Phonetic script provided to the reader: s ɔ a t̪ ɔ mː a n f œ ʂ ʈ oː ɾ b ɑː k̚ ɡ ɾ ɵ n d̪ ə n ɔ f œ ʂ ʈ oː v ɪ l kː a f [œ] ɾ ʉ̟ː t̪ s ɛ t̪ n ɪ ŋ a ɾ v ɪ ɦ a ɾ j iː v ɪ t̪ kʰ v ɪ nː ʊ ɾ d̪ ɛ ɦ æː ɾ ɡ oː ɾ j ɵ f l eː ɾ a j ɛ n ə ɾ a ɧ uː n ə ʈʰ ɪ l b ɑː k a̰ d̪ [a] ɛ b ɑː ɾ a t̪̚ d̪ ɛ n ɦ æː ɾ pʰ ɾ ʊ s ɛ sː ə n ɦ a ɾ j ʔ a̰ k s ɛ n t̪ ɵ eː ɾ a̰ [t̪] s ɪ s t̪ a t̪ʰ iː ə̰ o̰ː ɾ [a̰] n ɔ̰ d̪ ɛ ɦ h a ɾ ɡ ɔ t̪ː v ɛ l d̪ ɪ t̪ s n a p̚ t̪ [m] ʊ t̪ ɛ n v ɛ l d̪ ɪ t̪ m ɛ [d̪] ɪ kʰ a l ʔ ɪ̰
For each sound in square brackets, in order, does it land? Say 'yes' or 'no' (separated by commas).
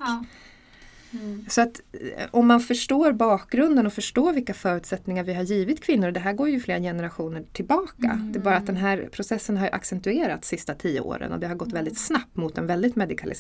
no, no, yes, no, yes, yes